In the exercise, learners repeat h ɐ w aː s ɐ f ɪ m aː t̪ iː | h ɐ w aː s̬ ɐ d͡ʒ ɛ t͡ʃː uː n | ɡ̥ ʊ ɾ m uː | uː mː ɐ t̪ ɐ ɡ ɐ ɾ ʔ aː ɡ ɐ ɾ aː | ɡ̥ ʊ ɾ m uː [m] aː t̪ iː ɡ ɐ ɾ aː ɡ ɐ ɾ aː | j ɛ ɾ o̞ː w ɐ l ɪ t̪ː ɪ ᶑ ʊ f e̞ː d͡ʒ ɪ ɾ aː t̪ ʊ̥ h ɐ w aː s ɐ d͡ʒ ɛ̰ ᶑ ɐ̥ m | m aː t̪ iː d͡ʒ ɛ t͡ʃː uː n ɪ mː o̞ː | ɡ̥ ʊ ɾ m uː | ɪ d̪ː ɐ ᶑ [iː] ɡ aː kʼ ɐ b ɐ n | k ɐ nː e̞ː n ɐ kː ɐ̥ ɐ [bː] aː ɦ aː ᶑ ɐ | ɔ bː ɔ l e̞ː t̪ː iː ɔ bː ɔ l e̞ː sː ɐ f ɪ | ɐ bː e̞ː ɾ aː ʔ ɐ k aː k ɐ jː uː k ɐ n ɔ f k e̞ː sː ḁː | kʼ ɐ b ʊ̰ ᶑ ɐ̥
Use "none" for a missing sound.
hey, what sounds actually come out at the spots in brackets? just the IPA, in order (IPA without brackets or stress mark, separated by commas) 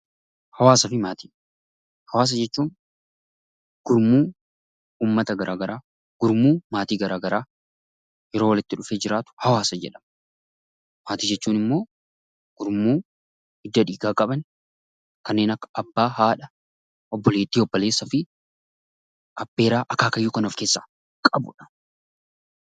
m, iː, bː